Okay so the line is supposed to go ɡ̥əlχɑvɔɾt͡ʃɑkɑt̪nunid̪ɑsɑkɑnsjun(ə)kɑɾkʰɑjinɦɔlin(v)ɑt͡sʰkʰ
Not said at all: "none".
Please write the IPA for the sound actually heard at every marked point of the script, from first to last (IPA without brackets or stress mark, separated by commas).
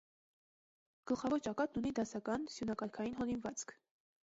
ɑ, v